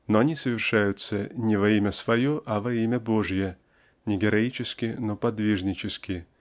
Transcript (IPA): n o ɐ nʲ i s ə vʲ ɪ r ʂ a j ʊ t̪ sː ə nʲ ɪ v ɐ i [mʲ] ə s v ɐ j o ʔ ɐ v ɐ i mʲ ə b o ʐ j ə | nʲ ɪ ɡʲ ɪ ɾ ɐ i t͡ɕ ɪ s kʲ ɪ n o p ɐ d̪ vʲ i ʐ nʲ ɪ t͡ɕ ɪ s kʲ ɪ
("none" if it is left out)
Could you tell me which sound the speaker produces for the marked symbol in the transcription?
mʲ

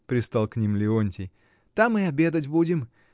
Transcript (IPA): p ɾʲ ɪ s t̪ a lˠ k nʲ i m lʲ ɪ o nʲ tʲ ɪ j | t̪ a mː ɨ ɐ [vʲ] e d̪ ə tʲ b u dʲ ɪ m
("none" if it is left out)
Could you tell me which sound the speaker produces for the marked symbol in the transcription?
bʲ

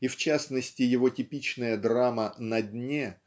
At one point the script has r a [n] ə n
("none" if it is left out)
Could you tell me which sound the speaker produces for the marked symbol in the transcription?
m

